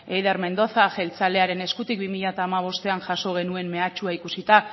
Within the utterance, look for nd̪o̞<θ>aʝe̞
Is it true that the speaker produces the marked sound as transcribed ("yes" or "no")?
yes